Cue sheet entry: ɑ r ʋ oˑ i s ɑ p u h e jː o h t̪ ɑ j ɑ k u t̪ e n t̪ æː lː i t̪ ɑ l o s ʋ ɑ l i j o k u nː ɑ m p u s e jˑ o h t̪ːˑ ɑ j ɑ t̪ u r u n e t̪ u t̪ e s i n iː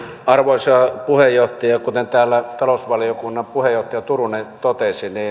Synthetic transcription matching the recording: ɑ r ʋ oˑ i s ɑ p u h e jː o h t̪ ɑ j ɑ k u t̪ e n t̪ æː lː æ t̪ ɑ l o s ʋ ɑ l i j o k u nː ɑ m p u h e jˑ o h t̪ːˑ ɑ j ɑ t̪ u r u n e t̪ o t̪ e s i n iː